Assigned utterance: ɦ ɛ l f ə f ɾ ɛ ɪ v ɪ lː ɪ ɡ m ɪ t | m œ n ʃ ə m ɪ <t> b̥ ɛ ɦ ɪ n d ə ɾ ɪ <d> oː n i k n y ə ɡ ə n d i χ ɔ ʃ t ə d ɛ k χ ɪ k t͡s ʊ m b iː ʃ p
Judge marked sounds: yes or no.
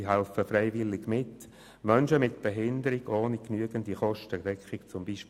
yes, no

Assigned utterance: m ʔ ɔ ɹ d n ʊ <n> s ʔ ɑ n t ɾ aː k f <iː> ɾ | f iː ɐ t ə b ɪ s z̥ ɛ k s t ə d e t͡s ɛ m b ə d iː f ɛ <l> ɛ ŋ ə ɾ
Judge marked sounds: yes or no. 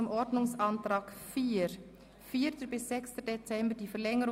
no, yes, yes

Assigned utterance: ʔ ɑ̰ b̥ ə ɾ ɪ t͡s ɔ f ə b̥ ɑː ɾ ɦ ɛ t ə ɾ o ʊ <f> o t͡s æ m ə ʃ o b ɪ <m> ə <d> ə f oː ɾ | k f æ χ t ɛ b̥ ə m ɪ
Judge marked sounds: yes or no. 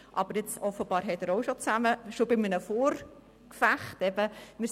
no, yes, no

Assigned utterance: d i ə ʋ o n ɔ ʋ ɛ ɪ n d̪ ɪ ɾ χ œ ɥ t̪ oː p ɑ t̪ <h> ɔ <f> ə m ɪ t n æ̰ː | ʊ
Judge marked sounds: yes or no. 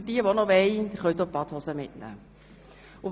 yes, no

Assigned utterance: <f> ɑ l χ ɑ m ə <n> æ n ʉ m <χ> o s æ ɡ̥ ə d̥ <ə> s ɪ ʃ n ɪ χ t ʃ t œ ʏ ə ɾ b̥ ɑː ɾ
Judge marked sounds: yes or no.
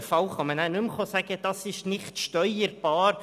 yes, yes, yes, no

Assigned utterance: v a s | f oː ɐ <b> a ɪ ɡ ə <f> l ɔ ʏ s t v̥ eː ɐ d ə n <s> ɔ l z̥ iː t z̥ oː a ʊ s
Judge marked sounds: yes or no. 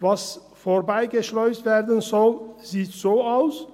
yes, no, no

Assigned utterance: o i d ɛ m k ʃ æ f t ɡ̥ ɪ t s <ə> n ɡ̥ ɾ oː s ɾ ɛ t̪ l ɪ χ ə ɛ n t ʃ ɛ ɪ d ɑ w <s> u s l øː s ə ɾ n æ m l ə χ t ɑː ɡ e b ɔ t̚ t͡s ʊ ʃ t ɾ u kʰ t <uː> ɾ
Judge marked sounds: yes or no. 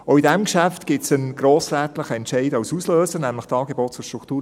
yes, yes, yes

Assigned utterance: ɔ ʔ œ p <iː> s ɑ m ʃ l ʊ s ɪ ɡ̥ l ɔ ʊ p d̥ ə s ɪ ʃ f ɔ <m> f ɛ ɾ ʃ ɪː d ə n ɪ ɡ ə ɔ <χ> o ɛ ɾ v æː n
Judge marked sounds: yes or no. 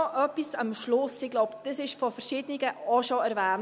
no, no, no

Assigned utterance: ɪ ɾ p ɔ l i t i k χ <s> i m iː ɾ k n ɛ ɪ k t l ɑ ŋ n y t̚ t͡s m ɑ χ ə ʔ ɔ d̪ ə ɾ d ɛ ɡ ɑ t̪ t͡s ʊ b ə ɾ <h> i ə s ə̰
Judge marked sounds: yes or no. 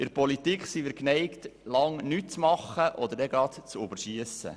yes, no

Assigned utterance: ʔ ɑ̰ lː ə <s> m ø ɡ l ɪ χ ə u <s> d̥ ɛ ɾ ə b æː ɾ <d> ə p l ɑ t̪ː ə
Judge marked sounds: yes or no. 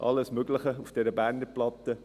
yes, no, no

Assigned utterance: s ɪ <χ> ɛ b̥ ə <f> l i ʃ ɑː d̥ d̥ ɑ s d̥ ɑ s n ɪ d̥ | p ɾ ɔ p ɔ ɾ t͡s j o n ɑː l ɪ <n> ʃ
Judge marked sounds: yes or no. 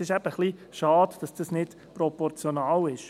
no, no, no

